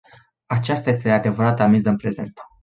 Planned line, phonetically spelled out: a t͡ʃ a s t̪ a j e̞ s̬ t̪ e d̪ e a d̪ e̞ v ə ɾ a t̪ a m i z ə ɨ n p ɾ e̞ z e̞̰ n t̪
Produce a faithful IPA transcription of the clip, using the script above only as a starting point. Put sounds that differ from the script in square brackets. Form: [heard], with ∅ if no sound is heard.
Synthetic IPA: a t͡ʃ a s t̪ a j e̞ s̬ t̪ e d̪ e a d̪ e̞ v ə ɾ a t̪ a m i z ə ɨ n p ɾ e̞ z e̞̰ n t̪